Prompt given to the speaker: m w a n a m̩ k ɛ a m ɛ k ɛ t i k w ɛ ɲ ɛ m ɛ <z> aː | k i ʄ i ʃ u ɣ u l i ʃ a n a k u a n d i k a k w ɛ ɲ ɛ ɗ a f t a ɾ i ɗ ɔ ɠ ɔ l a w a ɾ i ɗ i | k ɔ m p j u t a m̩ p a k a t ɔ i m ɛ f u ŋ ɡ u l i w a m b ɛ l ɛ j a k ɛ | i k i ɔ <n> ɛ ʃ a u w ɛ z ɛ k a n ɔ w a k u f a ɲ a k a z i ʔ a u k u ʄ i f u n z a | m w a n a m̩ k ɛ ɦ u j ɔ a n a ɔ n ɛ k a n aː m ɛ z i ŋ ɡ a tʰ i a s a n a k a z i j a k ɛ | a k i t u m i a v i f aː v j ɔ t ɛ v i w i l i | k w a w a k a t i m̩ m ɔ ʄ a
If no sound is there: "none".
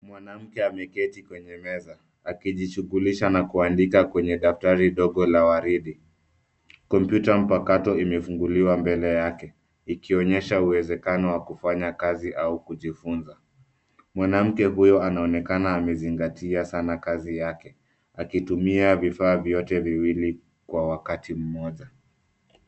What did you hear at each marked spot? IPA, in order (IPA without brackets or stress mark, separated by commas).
z, ɲ